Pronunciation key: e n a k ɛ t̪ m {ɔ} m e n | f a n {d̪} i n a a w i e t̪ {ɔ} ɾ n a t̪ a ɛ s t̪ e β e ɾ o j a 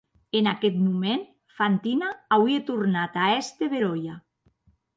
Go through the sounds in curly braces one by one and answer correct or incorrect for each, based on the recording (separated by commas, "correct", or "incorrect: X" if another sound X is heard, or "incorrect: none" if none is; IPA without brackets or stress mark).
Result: incorrect: u, incorrect: t̪, incorrect: u